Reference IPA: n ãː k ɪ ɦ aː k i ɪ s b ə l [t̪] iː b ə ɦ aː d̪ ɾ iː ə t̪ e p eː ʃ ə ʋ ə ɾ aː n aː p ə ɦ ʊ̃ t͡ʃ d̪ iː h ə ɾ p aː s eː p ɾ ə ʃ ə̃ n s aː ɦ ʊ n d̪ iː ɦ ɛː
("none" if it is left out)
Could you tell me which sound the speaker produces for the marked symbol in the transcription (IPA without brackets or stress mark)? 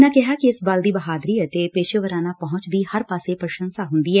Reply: d̪